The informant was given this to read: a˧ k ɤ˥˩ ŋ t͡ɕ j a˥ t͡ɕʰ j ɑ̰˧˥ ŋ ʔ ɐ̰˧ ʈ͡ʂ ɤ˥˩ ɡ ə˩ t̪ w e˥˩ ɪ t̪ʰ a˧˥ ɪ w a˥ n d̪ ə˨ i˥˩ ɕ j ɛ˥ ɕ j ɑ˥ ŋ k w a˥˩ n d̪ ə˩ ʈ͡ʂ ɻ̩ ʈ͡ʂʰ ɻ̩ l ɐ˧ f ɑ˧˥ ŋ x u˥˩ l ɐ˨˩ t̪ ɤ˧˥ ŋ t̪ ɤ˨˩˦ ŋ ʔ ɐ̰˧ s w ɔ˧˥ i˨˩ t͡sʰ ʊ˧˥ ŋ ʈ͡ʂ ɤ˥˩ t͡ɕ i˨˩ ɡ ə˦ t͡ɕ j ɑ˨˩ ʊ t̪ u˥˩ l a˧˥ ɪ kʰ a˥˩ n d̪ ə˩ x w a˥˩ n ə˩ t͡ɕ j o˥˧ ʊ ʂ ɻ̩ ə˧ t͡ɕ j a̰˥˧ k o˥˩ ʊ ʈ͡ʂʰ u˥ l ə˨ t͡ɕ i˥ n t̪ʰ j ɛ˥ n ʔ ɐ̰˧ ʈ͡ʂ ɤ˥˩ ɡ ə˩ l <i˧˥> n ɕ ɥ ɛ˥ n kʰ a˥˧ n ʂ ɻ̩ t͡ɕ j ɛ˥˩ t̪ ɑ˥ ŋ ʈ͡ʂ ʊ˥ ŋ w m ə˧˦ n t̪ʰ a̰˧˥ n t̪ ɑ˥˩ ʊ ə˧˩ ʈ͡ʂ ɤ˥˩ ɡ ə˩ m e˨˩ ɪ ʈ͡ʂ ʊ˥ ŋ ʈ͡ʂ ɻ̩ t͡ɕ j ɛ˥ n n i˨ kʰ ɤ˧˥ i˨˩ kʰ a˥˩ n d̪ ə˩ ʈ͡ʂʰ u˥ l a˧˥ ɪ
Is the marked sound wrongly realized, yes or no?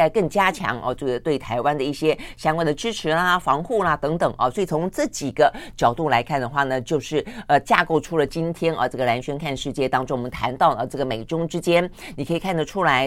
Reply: yes